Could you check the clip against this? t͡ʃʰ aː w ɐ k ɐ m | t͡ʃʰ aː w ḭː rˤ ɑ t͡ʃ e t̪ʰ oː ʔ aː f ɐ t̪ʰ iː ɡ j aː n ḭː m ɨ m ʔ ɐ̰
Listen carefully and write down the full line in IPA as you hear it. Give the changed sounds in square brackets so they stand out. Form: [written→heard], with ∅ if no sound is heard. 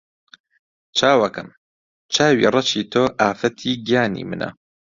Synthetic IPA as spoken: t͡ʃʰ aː w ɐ k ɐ m | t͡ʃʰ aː w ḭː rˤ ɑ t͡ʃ [e→i] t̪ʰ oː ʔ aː f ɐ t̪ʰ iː ɡ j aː n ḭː m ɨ [m→n] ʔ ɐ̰